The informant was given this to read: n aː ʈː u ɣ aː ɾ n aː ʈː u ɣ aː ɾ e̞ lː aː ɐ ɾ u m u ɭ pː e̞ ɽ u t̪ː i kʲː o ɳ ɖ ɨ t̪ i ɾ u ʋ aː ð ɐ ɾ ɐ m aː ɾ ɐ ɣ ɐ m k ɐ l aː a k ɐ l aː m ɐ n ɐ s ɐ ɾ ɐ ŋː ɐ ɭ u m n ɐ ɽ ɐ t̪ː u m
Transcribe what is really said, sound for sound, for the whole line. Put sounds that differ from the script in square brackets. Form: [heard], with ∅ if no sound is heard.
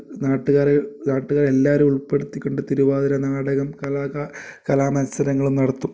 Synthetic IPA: n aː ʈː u ɣ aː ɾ n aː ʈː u ɣ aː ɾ e̞ lː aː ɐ ɾ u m u ɭ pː e̞ ɽ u t̪ː i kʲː o ɳ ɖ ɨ t̪ i ɾ u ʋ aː ð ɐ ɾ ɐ [n] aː [ɽ] ɐ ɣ ɐ m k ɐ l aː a k ɐ l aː m ɐ n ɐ s ɐ ɾ ɐ ŋː ɐ ɭ u m n ɐ ɽ ɐ t̪ː u m